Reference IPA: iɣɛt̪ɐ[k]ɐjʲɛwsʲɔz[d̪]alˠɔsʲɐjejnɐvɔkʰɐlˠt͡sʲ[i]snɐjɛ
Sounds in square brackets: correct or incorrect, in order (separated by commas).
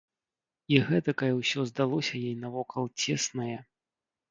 correct, correct, incorrect